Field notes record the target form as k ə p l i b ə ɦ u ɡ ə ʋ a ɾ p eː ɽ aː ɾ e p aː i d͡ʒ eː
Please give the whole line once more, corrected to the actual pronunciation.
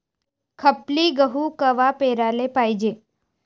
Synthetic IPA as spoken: kʰ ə p l i ɡ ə ɦ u k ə ʋ a p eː ɾ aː l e p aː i d͡ʒ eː

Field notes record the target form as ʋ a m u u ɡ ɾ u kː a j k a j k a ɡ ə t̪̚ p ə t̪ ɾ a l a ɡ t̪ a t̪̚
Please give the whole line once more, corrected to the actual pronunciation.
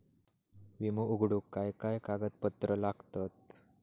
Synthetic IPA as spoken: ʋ i m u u ɡ ɽ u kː a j k a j k a ɡ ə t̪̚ p ə t̪ ɾ ə l a ɡ t̪ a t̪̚

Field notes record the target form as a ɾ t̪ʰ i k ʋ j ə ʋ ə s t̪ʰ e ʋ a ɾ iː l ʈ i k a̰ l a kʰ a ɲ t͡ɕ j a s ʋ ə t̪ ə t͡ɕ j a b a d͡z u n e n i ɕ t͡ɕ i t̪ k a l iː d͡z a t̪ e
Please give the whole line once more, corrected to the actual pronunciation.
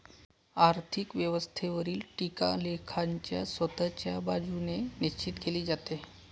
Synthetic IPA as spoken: a ɾ t̪ʰ i k ʋ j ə ʋ ə s t̪ʰ e ʋ ə ɾ iː l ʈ i k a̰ l e kʰ a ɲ t͡ɕ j a s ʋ ə t̪ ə t͡ɕ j a b a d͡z u n e n i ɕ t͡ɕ i t̪ k e l iː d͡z a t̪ e

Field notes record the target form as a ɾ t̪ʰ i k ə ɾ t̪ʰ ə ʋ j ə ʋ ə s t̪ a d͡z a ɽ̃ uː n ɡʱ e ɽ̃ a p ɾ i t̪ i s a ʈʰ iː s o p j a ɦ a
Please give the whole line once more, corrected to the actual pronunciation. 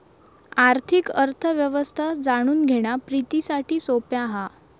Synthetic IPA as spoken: a ɾ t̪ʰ i k ə ɾ t̪ʰ ə ʋ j ə ʋ ə s t̪ʰ a d͡z a ɽ̃ uː n ɡʱ e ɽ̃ a p ɾ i t̪ i s a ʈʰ iː s o p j a ɦ a

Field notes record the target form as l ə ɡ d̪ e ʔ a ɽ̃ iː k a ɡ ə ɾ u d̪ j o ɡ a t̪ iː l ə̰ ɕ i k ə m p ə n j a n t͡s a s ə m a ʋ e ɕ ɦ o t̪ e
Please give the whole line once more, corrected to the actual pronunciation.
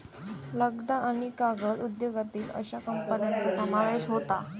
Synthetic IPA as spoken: l ə ɡ d̪ a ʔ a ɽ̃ i k a ɡ ə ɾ u d̪ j o ɡ a t̪ iː l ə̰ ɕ a k ə m p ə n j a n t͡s a s ə m a ʋ e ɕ ɦ o t̪ a

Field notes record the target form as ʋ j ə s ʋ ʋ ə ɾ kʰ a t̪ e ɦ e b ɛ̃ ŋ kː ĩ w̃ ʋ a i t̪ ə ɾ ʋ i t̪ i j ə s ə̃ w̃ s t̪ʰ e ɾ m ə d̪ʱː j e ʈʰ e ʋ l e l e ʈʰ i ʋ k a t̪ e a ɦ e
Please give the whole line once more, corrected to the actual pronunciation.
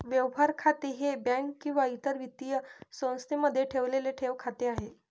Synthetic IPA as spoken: ʋ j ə ʋ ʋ a ɾ kʰ a t̪ e ɦ e b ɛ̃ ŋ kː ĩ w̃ ʋ a i t̪ ə ɾ ʋ i t̪ i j ə s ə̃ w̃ s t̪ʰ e m ə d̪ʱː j e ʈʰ e ʋ l e l e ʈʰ e ʋ kʰ a t̪ e a ɦ e

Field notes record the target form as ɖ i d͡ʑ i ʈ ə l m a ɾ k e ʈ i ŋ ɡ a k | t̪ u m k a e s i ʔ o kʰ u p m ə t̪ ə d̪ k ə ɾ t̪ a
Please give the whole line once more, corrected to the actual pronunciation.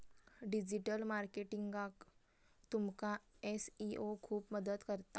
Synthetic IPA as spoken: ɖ i d͡ʑ i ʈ ə l m a ɾ k e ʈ i ŋ ɡ a k | t̪ u m k a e s i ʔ o kʰ uː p m ə d̪ ə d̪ k ə ɾ t̪ a

